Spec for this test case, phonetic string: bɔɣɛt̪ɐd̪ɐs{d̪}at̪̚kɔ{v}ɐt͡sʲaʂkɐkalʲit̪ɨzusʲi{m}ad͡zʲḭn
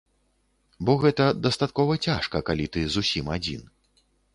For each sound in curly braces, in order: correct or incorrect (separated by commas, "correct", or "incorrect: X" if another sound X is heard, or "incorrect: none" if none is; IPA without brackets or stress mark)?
incorrect: t̪, correct, correct